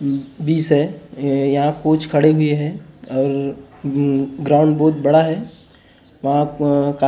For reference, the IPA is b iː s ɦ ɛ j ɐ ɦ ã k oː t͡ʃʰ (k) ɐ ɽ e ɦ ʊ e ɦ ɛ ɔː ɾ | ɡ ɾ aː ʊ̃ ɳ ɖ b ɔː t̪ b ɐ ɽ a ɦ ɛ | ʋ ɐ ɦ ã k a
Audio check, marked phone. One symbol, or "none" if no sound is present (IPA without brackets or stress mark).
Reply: kʰ